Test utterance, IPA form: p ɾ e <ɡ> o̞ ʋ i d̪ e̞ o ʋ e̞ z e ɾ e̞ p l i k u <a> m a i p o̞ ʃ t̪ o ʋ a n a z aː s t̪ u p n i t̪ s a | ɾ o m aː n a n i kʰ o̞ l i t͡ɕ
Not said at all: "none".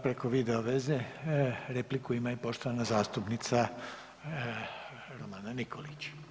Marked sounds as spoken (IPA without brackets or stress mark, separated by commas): k, i